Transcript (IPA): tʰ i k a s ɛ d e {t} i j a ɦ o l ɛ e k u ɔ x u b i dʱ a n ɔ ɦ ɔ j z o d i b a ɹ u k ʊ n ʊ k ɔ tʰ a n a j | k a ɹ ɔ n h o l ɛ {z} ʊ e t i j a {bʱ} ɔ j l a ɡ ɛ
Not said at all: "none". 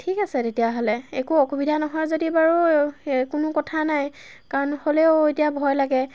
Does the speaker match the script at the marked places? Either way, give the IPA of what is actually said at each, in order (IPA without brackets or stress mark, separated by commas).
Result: t, none, bʱ